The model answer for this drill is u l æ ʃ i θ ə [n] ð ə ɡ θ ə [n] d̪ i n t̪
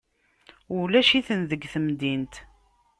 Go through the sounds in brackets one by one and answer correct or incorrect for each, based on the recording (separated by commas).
correct, incorrect